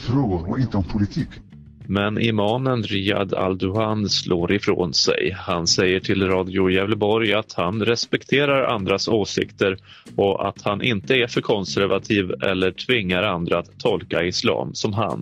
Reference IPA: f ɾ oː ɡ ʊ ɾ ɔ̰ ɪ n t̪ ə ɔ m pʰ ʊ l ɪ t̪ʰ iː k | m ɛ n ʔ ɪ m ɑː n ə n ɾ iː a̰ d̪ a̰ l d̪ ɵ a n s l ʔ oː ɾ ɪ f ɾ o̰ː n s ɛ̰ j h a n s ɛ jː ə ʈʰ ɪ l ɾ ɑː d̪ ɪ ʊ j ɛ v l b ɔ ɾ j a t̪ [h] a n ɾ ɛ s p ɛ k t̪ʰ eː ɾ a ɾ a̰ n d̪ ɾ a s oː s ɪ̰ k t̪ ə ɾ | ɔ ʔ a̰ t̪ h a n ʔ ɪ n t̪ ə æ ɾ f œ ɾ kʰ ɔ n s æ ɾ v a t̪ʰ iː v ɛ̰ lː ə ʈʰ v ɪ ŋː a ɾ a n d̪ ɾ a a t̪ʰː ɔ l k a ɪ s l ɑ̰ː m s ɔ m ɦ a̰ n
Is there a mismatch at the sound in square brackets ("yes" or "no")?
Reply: no